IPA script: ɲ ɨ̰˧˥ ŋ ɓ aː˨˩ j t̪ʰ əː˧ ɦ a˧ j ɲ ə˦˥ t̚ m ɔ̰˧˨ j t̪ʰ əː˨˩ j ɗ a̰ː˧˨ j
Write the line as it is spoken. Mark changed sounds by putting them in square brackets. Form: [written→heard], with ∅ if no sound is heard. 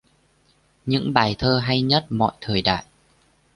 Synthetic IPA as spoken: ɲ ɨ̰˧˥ ŋ ɓ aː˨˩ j t̪ʰ əː˧ ɦ a˧ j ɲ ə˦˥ t̚ m ɔ̰˧˨ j t̪ʰ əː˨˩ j ɗ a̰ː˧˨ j